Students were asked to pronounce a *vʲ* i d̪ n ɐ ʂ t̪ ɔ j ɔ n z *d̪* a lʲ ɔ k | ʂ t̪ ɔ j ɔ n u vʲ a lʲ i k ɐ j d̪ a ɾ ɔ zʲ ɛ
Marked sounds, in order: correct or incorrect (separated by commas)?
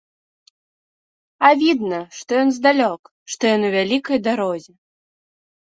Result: correct, correct